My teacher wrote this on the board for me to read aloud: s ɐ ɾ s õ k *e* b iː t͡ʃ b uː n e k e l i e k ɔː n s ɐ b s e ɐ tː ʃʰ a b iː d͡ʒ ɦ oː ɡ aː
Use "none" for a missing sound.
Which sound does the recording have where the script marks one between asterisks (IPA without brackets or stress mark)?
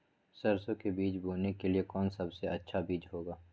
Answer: e